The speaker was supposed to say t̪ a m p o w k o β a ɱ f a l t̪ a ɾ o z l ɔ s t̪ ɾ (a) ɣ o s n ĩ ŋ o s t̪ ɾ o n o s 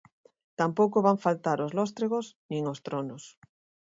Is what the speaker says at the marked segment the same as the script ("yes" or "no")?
no